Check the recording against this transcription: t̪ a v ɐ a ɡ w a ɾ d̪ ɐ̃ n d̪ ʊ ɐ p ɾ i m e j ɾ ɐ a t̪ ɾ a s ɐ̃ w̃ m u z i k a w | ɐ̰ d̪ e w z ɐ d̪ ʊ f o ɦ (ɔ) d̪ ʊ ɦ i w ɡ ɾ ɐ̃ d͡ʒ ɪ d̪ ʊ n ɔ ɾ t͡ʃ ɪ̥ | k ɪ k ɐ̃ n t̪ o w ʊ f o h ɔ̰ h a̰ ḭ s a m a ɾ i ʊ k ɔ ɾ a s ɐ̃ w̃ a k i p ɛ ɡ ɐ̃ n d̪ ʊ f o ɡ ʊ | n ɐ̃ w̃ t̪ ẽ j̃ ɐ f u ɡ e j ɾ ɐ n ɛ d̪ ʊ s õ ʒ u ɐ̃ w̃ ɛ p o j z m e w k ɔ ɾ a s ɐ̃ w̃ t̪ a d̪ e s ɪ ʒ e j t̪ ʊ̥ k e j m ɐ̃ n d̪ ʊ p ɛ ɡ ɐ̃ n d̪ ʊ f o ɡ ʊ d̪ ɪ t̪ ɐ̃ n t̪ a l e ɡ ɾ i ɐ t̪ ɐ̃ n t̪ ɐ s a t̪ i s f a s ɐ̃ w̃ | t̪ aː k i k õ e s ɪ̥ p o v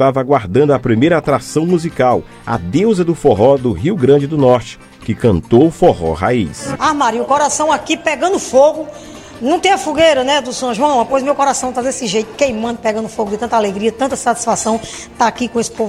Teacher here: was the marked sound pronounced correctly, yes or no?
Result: yes